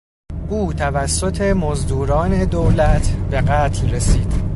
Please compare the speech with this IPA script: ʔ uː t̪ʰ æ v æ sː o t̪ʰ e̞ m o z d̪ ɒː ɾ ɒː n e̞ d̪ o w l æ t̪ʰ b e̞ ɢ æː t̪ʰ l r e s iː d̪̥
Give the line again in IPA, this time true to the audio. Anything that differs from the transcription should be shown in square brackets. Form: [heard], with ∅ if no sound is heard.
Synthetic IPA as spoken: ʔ uː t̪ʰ æ v æ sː o t̪ʰ e̞ m o z d̪ [uː] ɾ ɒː n e̞ d̪ o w l æ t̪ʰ b e̞ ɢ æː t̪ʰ l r e s iː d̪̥